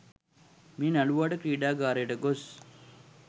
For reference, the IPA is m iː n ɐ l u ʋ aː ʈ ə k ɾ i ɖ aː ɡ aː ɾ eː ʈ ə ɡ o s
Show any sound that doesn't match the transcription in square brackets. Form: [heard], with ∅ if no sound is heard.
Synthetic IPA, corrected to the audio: m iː n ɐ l u ʋ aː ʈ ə k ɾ [iː] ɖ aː ɡ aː ɾ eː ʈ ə ɡ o s